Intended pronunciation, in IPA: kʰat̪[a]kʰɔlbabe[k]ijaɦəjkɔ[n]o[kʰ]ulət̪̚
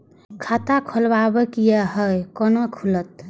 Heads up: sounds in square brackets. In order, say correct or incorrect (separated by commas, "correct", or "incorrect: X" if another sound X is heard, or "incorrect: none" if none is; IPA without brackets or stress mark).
correct, correct, correct, correct